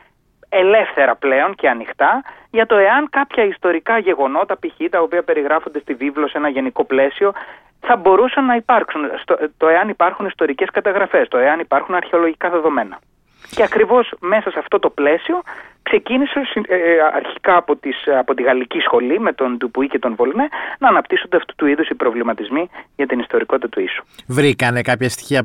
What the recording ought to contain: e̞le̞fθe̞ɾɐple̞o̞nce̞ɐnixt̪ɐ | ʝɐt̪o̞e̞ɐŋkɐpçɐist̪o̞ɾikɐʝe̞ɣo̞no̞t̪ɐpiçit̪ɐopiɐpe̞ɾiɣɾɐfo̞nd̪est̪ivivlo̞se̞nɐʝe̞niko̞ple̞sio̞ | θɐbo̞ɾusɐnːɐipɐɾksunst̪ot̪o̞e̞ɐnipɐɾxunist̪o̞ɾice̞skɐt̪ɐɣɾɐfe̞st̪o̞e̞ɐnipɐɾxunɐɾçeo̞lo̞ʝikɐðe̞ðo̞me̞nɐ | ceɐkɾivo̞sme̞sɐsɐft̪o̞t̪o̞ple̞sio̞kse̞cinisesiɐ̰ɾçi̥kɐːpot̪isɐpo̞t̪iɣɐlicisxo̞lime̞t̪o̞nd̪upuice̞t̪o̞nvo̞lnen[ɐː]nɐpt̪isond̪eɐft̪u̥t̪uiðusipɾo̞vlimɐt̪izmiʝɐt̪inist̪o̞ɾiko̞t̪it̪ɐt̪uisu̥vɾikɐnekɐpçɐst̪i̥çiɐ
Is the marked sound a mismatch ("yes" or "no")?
no